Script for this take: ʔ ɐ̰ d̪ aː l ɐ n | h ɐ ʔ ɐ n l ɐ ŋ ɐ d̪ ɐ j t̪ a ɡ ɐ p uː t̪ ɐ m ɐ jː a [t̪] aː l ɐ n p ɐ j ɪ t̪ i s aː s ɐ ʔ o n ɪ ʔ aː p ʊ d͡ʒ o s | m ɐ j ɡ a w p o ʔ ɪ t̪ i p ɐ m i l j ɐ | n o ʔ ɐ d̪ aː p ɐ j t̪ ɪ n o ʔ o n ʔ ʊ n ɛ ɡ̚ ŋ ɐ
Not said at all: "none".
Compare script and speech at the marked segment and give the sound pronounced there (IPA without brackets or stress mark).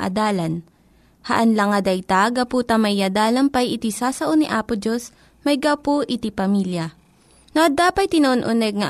d̪